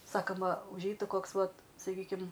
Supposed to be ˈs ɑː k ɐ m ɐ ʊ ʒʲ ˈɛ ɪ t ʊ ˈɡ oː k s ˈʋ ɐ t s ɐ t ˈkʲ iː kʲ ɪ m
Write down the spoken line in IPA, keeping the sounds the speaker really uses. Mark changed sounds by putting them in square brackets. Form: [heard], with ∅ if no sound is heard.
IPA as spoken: ˈs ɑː k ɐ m ɐ ʊ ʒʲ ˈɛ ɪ t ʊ [ˈk] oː k s ˈʋ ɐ t s ɐ [∅] ˈkʲ iː kʲ ɪ m